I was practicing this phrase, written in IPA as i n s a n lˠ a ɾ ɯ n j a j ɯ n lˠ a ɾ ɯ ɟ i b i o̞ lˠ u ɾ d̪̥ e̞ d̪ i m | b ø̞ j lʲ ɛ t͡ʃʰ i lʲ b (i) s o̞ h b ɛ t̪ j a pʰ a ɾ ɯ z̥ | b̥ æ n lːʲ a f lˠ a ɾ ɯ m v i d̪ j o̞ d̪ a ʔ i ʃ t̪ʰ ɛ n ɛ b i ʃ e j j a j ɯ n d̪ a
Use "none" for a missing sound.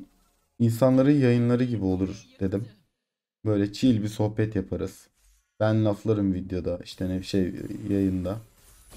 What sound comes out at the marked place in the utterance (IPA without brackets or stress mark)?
i